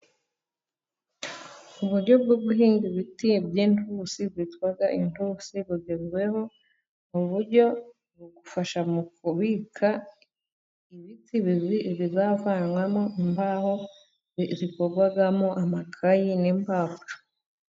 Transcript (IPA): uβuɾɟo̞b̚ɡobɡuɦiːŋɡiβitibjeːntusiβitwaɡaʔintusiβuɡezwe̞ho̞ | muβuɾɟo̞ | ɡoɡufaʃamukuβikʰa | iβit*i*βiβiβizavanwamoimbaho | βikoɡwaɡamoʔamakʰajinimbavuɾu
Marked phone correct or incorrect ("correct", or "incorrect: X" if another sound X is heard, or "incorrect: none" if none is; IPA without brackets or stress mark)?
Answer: correct